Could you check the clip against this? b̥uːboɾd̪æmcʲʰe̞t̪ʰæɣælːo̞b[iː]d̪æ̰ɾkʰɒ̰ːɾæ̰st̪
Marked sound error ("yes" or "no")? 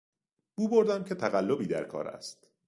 no